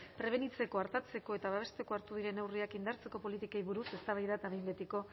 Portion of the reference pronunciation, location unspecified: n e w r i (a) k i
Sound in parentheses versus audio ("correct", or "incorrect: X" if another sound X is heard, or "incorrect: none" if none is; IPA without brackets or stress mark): correct